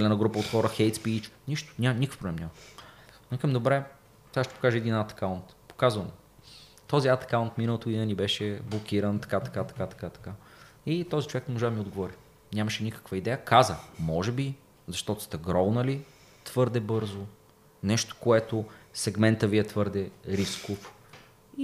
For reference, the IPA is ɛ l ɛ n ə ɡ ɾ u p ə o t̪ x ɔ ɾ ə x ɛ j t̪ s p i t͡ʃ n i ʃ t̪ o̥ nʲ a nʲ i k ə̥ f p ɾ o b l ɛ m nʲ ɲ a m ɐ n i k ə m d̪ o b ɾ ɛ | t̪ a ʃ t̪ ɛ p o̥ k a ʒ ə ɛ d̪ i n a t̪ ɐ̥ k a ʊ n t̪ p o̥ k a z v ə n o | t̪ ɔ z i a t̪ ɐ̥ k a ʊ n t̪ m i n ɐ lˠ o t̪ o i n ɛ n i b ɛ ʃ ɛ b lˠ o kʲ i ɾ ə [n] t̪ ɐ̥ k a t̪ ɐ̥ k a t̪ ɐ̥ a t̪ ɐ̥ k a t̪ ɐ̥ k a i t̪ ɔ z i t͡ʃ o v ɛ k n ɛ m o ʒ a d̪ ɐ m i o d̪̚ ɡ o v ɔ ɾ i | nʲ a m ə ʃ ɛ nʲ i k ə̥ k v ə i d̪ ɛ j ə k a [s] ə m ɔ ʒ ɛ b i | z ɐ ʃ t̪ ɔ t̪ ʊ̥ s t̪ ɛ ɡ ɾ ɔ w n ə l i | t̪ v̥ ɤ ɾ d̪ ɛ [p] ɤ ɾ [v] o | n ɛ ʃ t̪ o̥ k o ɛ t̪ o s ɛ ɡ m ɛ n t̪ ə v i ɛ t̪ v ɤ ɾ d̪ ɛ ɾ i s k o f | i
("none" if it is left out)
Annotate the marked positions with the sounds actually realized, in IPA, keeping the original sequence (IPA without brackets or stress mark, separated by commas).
n, z, b, z